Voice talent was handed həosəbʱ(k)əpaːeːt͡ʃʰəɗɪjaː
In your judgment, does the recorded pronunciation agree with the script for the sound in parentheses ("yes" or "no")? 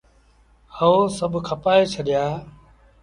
no